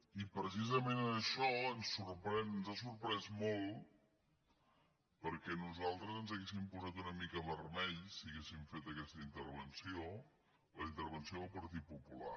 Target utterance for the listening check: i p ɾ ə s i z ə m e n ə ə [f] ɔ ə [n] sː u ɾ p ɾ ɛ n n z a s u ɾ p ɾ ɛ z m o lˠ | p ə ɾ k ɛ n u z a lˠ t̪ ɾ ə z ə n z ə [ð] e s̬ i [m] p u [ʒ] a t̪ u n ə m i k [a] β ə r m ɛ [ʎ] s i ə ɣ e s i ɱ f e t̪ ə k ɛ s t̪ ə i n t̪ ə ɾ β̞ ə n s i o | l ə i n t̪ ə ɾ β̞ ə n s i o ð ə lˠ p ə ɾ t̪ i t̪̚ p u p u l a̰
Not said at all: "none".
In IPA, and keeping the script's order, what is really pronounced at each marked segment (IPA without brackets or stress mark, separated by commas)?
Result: ʃ, n, ɣ, m, z, ə, ʎ